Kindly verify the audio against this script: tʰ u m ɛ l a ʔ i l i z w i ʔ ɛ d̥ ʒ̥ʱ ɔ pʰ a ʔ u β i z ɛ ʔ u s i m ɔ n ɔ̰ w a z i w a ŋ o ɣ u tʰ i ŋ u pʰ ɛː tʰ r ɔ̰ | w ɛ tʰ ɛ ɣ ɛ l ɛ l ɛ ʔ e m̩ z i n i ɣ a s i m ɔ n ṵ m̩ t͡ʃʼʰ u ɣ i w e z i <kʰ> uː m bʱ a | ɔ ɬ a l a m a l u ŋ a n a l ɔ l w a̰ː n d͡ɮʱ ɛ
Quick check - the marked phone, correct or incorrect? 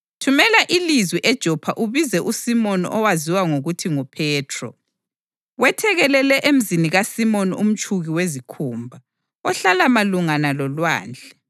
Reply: correct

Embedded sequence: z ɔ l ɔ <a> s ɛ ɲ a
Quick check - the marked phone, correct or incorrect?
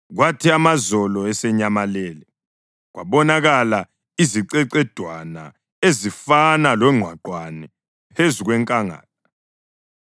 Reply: incorrect: ɛ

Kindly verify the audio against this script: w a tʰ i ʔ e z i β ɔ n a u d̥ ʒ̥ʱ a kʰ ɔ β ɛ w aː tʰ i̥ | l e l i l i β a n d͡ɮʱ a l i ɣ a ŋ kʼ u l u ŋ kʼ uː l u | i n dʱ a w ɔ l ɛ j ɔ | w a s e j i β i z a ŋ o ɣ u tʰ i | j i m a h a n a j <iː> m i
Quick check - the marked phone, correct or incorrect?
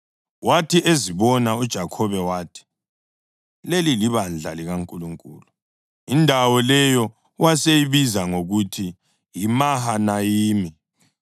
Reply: correct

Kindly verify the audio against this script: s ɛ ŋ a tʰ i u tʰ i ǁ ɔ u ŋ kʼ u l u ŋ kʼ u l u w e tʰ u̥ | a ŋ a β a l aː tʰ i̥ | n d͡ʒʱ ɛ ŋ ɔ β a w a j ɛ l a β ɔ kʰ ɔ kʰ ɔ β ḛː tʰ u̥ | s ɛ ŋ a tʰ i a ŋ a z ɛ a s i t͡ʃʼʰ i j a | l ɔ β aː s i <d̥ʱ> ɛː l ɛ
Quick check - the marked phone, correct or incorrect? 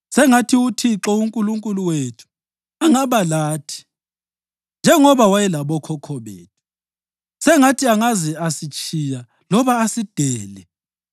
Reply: correct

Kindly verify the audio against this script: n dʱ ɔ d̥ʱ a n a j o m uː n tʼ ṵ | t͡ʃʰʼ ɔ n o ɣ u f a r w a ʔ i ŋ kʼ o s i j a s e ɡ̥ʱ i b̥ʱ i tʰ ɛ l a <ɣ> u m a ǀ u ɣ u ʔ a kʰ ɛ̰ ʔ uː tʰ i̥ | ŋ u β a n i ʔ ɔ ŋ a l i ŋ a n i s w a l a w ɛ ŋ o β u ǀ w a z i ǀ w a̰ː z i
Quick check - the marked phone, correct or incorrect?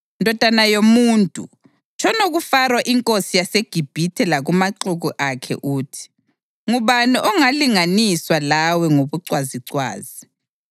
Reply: correct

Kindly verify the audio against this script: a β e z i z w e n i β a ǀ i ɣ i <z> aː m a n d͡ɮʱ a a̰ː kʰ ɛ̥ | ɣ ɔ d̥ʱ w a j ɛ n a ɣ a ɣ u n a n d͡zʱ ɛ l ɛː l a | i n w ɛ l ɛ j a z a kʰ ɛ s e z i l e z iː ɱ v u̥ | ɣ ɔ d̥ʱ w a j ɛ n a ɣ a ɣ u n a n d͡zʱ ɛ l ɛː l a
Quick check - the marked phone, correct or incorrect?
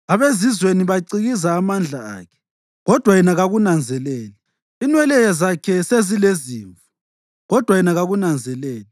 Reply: correct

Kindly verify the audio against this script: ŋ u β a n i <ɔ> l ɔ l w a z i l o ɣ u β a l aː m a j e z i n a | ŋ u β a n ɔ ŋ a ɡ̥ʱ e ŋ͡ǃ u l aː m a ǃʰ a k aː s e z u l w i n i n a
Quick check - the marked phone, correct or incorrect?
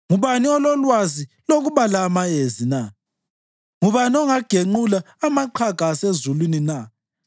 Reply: correct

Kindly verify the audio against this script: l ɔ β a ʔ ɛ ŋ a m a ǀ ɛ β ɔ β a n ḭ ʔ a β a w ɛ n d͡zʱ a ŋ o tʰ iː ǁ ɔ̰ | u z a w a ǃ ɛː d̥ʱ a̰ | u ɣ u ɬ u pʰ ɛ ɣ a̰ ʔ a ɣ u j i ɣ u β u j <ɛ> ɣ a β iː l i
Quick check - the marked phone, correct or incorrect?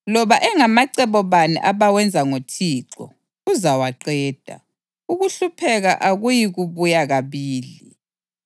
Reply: incorrect: a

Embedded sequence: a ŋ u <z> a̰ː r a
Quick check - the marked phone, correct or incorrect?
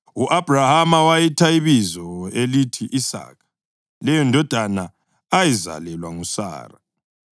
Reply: incorrect: s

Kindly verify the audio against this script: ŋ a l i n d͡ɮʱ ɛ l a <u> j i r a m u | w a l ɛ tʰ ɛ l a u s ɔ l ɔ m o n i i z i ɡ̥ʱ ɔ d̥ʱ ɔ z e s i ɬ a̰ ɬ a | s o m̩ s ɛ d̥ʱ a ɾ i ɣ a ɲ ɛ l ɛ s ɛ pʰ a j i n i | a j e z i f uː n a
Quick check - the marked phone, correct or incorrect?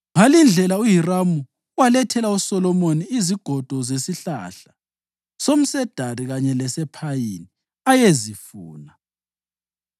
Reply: correct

